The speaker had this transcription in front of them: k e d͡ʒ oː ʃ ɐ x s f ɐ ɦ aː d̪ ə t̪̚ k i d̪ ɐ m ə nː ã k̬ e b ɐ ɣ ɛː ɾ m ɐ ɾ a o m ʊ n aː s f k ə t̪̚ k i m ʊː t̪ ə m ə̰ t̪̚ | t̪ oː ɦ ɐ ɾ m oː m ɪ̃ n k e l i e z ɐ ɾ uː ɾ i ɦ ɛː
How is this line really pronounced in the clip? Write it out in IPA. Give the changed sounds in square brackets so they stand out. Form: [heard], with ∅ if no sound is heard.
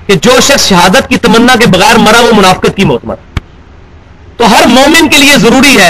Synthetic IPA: k e d͡ʒ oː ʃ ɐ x s [ʃ] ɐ ɦ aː d̪ ə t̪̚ k i [t̪] ɐ m ə nː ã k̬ e b ɐ ɣ ɛː ɾ m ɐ ɾ a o m ʊ n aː [∅] f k ə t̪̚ k i m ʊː t̪ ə m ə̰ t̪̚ | t̪ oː ɦ ɐ ɾ m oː m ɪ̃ n k e l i e z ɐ ɾ uː ɾ i ɦ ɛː